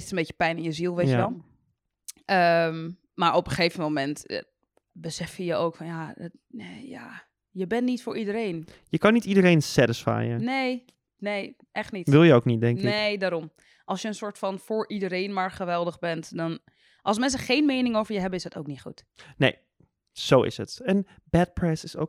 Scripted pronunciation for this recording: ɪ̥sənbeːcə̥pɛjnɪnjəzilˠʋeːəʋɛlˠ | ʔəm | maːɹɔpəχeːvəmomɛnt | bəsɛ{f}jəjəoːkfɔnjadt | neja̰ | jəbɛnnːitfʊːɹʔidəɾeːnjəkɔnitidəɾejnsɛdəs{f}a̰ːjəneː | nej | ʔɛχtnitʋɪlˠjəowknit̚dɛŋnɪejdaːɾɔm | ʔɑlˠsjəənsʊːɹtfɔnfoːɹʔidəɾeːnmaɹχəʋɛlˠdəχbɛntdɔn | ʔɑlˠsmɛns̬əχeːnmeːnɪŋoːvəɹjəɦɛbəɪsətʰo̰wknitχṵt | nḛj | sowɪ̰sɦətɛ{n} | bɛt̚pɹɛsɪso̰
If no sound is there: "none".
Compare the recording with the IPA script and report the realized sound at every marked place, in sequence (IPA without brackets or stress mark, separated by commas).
f, f, n